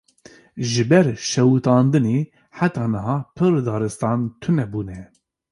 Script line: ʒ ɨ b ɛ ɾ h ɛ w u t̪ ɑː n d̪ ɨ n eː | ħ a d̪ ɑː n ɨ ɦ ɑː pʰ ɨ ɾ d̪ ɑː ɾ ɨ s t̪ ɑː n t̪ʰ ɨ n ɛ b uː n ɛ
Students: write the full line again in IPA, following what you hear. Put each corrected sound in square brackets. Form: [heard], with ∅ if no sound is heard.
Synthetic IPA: ʒ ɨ b ɛ ɾ [ʃ] ɛ w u t̪ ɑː n d̪ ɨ n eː | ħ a [t̪] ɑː n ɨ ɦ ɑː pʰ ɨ ɾ d̪ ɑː ɾ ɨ s t̪ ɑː n t̪ʰ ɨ n ɛ b uː n ɛ